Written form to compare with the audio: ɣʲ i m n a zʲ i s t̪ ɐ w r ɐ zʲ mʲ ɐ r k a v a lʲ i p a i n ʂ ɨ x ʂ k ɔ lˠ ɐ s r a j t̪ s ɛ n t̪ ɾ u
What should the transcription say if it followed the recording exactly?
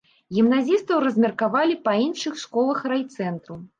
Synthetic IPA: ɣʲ i m n a zʲ i s t̪ ɐ w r ɐ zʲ mʲ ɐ r k a v a lʲ i p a i n ʂ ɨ x ʂ k ɔ lˠ ɐ x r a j t̪ s ɛ n t̪ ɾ u